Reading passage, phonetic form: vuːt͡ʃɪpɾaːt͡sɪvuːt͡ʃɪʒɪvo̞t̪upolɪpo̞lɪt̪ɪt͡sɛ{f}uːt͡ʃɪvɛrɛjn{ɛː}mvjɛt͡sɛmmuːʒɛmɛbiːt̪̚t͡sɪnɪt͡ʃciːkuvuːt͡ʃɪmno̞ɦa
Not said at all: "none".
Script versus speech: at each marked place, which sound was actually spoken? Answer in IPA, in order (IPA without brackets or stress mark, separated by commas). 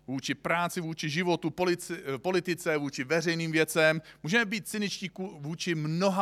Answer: v, iː